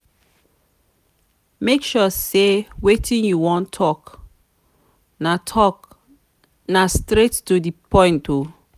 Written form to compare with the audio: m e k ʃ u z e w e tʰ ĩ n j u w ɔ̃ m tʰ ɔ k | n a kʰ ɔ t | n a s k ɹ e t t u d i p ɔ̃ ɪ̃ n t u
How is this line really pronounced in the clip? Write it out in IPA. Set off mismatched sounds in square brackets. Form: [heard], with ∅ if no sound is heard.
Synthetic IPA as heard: m e k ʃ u [s] e w e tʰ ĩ n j u w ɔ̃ [n] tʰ ɔ k | n a [tʰ] ɔ [k] | n a s [t] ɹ e t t u d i p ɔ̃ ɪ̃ n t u